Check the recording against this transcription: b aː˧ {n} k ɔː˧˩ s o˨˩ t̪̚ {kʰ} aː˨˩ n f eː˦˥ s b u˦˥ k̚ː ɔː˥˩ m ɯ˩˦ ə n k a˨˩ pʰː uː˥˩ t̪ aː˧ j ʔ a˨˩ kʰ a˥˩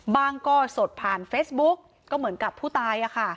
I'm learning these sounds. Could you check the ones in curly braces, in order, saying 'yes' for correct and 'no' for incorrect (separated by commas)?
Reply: no, no